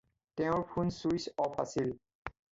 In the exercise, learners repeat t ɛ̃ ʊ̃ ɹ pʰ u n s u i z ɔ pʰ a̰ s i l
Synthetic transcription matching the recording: t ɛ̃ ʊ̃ ɹ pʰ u n s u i s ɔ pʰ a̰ s i l